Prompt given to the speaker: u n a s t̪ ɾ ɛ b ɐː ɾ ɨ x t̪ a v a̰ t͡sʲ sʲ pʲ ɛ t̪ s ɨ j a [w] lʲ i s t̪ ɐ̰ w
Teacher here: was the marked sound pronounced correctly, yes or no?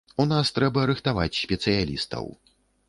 no